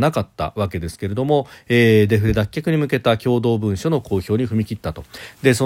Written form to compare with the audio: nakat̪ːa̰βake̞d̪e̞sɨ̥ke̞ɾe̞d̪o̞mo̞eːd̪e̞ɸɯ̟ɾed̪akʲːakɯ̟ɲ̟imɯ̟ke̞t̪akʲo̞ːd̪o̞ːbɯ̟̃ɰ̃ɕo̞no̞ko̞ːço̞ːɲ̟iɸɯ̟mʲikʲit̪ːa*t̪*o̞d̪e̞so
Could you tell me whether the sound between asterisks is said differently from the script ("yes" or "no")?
no